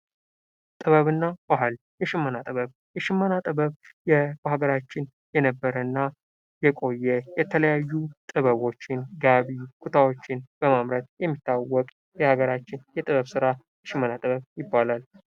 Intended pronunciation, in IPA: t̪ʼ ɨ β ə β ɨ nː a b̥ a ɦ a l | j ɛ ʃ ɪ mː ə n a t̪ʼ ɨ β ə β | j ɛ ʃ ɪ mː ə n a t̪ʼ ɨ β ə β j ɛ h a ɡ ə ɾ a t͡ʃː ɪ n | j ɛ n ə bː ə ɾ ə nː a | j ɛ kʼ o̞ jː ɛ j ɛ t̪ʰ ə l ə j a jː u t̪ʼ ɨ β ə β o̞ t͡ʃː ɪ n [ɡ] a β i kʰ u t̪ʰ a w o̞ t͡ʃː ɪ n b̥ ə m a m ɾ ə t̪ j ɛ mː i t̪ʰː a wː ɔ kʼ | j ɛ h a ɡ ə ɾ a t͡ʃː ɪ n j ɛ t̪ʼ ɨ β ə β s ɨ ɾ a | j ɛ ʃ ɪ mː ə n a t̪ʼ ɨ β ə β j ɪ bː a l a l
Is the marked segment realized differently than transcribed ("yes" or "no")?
no